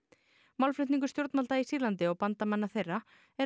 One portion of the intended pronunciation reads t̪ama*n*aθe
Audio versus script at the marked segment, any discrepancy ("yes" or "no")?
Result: yes